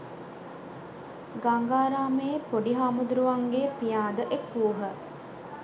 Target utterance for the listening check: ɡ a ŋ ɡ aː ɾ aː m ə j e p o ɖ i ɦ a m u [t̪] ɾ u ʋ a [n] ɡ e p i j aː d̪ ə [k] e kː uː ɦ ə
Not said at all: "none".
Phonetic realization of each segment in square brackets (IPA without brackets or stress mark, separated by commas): d̪, ŋ, ʔ